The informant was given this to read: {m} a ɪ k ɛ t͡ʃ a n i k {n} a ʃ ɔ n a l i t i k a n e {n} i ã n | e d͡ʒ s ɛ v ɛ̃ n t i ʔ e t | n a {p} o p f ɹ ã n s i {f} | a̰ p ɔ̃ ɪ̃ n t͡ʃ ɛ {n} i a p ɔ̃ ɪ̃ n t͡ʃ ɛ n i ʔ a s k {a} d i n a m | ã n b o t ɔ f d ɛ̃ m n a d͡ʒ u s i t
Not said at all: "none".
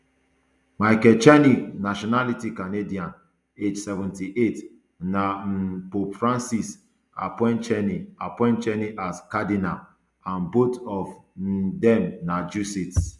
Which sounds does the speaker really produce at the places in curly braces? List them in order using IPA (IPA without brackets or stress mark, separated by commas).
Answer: m, n, d, p, s, n, a